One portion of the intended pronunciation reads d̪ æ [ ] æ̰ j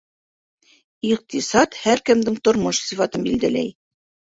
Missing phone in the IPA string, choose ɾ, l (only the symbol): l